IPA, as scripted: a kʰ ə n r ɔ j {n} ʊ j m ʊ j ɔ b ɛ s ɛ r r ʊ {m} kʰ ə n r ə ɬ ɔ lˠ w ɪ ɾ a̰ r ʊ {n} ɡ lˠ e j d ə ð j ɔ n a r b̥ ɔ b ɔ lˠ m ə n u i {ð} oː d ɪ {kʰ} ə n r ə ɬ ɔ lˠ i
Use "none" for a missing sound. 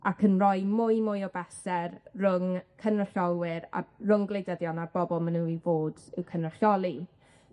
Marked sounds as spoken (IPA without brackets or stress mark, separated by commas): m, ŋ, ŋ, v, kʰ